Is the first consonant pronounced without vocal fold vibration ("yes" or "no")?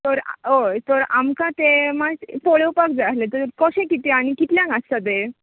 yes